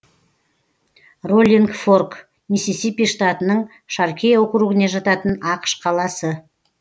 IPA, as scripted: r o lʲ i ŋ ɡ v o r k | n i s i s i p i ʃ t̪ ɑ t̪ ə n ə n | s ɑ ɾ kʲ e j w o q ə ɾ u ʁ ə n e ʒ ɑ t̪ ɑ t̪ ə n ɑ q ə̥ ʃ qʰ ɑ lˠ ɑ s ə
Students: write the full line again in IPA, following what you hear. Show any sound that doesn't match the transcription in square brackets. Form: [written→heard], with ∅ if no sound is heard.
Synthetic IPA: r o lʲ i ŋ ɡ [v→f] o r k | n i s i s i p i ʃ t̪ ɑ t̪ ə n ə [n→ɴ] | [s→ʃ] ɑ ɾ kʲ e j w o q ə ɾ u ʁ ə n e ʒ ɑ t̪ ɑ t̪ ə n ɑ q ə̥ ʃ qʰ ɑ lˠ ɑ s ə

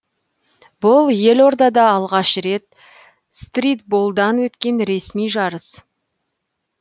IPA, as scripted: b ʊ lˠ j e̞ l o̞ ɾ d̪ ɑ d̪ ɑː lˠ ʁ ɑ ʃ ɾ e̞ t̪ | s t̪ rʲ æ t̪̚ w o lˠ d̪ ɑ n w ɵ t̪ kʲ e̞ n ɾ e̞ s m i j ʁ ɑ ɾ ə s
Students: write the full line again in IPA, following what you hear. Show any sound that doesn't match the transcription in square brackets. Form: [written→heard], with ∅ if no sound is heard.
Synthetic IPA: b ʊ lˠ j e̞ l o̞ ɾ d̪ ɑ d̪ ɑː lˠ ʁ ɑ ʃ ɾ e̞ t̪ | s t̪ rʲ [æ→i] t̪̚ [w→b] o lˠ d̪ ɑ n w ɵ t̪ kʲ e̞ n ɾ e̞ s m i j [ʁ→ʒ] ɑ ɾ ə s

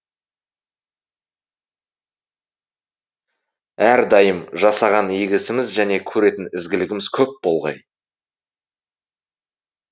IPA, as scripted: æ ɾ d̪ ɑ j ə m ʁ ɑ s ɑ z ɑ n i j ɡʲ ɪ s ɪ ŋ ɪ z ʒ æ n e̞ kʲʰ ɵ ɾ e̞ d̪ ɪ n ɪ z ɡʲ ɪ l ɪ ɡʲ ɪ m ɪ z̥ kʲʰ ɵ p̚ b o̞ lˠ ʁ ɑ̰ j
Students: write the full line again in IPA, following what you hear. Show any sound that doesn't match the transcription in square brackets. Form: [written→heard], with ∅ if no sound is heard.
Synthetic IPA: æ ɾ d̪ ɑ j ə m [ʁ→ʒ] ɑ s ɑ [z→ʁ] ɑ n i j ɡʲ ɪ s ɪ [ŋ→m] ɪ z ʒ æ n e̞ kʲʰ ɵ ɾ e̞ [d̪→t̪] ɪ n ɪ z ɡʲ ɪ l ɪ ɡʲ ɪ m ɪ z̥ kʲʰ ɵ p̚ b o̞ lˠ ʁ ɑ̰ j

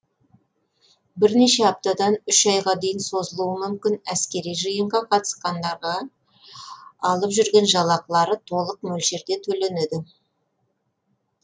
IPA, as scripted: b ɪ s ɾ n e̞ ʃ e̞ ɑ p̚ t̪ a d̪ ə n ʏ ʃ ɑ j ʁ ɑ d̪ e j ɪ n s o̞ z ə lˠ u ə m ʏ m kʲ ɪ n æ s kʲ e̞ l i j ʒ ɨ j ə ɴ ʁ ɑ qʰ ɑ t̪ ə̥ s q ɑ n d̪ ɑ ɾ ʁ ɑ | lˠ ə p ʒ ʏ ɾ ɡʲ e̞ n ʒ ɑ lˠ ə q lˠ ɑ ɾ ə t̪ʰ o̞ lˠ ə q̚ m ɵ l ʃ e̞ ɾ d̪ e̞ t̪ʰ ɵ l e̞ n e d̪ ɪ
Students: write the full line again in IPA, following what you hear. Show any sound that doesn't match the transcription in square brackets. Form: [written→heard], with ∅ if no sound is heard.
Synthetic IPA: b ɪ [s→∅] ɾ n e̞ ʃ e̞ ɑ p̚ t̪ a d̪ [ə→ɑ] n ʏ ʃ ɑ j ʁ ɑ d̪ e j ɪ n s o̞ z ə lˠ u ə m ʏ m kʲ ɪ n æ s kʲ e̞ [l→ɾ] i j ʒ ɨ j ə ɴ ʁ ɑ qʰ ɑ t̪ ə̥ s q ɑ n d̪ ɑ ɾ ʁ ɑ | lˠ ə p ʒ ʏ ɾ ɡʲ e̞ n ʒ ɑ lˠ [ə→ɑ] q lˠ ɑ ɾ ə t̪ʰ o̞ lˠ ə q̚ m ɵ l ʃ e̞ ɾ d̪ e̞ t̪ʰ ɵ l e̞ n e d̪ ɪ

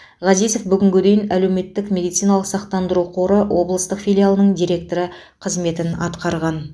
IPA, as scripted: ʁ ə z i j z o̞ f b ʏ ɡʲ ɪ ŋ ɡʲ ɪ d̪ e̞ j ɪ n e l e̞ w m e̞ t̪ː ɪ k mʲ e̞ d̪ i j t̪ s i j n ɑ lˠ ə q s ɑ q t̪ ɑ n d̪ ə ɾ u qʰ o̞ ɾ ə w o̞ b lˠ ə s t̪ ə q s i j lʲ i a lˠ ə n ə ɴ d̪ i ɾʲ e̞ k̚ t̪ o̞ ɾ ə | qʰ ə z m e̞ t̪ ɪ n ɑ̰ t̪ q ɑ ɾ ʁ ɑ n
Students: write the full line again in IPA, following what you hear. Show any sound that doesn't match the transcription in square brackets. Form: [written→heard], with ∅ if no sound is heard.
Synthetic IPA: ʁ [ə→ɑ] z i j z o̞ f b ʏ ɡʲ ɪ ŋ ɡʲ ɪ d̪ e̞ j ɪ n [e→æ] l e̞ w m e̞ t̪ː ɪ k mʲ e̞ d̪ i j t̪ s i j n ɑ lˠ ə q s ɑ q t̪ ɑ n d̪ ə ɾ u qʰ o̞ ɾ ə w o̞ b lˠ ə s t̪ ə q [s→f] i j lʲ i a lˠ ə n ə ɴ d̪ i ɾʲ e̞ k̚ t̪ o̞ ɾ ə | qʰ ə z m e̞ t̪ ɪ n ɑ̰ t̪ q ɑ ɾ ʁ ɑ n

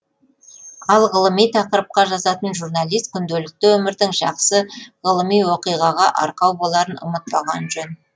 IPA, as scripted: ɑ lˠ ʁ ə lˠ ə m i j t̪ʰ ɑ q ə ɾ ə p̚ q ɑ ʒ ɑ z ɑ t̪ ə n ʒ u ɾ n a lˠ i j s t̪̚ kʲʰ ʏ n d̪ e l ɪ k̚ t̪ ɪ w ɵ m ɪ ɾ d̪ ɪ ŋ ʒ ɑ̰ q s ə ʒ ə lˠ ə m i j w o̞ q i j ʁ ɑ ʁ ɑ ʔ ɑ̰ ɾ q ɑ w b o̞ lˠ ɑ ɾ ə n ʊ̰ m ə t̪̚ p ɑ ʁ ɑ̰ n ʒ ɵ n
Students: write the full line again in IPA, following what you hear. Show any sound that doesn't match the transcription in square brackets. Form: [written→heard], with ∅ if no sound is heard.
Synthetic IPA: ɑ lˠ ʁ ə lˠ ə m i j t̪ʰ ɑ q ə ɾ ə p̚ q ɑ ʒ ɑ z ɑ t̪ ə n ʒ u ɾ n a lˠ i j s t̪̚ kʲʰ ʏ n d̪ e l ɪ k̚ t̪ ɪ w ɵ m ɪ ɾ d̪ ɪ ŋ ʒ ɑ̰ q s ə [ʒ→ʁ] ə lˠ ə m i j w o̞ q i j ʁ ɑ ʁ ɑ ʔ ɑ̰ ɾ q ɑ w b o̞ lˠ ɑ ɾ ə n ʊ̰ m ə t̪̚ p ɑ ʁ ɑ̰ n ʒ ɵ n

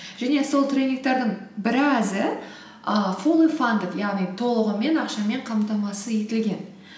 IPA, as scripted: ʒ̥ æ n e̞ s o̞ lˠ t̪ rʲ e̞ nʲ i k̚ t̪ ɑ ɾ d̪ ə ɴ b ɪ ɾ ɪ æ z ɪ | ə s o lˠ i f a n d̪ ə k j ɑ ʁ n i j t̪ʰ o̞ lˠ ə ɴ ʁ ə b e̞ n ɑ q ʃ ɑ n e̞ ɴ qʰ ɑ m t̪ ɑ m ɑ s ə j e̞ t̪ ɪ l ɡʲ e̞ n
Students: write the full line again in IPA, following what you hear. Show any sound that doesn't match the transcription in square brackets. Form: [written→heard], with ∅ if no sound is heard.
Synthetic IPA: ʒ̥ æ n e̞ s o̞ lˠ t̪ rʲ e̞ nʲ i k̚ t̪ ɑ ɾ d̪ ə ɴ b ɪ ɾ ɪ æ z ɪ | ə [s→f] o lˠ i f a n d̪ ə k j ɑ ʁ n i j t̪ʰ o̞ lˠ ə [ɴ→∅] ʁ ə [b→m] e̞ n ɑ q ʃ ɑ [n→m] e̞ ɴ qʰ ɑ m t̪ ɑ m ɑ s ə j e̞ t̪ ɪ l ɡʲ e̞ n

